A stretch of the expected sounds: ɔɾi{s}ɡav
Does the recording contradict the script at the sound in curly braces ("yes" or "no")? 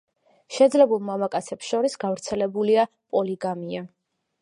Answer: no